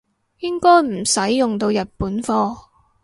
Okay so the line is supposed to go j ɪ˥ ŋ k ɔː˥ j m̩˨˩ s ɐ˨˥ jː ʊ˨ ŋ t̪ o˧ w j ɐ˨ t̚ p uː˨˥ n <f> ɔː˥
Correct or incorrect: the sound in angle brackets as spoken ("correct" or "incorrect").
correct